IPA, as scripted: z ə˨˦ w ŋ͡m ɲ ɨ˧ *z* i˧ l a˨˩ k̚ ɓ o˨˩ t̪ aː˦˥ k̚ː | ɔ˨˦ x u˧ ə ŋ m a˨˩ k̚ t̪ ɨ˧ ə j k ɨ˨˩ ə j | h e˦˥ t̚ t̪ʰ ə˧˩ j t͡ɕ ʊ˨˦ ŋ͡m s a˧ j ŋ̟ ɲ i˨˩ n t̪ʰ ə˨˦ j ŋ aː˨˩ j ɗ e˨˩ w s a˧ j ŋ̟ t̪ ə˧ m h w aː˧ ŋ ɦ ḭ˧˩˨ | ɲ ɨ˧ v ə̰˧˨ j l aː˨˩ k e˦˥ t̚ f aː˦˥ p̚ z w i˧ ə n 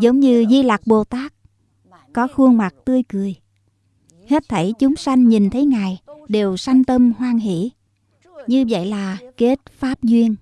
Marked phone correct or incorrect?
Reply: correct